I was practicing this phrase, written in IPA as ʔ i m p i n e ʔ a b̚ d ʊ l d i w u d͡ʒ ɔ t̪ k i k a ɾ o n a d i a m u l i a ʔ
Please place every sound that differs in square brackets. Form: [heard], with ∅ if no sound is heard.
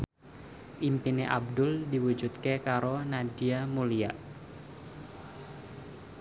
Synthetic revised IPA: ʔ i m p i n e ʔ a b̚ d ʊ l d i w u d͡ʒ [u] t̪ k [e] k a ɾ o n a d i a m u l i a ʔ